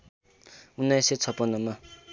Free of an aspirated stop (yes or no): no